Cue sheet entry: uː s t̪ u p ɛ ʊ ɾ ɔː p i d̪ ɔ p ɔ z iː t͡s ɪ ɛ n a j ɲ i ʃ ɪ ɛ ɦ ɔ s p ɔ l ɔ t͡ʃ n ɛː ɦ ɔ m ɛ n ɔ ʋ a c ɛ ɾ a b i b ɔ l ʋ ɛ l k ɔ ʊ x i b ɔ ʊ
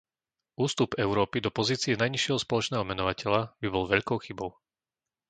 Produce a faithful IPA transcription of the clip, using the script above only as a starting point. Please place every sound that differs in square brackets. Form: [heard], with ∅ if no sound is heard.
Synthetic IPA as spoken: uː s t̪ u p ɛ ʊ ɾ ɔː p i d̪ ɔ p ɔ z iː t͡s [i] ɛ n a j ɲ i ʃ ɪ ɛ ɦ ɔ s p ɔ l ɔ t͡ʃ n ɛː ɦ ɔ m ɛ n ɔ ʋ a c ɛ [ʎ] a b i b ɔ l ʋ ɛ [ʎ] k ɔ ʊ x i b ɔ ʊ